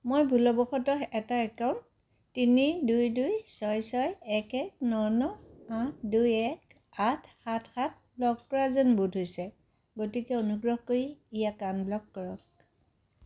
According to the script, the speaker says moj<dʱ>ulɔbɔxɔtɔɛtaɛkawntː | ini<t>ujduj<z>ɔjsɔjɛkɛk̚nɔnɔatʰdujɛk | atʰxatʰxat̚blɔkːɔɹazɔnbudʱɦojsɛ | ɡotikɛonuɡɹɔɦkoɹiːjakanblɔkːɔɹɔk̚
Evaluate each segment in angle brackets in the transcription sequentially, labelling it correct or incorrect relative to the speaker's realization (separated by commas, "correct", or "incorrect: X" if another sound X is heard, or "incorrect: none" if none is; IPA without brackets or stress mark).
incorrect: bʱ, incorrect: d, incorrect: s